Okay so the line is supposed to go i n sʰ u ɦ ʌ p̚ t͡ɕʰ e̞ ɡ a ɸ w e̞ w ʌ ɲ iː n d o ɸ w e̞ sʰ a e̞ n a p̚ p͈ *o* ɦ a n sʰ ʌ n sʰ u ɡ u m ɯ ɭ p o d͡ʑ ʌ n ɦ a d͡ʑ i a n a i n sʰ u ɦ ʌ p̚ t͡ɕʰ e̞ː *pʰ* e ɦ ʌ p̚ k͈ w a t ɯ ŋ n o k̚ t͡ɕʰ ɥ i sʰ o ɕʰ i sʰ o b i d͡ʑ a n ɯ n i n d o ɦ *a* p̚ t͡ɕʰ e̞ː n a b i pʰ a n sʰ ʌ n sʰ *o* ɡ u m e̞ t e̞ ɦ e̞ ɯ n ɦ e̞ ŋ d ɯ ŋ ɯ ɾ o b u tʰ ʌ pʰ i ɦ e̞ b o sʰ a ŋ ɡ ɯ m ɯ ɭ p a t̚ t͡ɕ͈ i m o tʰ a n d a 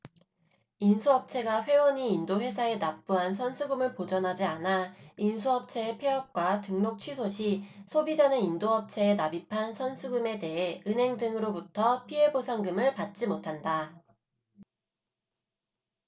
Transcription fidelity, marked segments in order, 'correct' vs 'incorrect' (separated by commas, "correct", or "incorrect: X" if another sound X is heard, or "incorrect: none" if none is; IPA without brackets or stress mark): incorrect: u, correct, incorrect: ʌ, incorrect: u